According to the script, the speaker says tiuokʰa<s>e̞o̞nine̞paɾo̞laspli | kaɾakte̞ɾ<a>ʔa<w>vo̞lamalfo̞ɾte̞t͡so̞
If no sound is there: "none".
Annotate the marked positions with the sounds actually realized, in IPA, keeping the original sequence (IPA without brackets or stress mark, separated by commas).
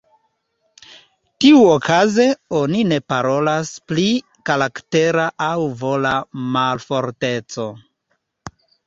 z, a, w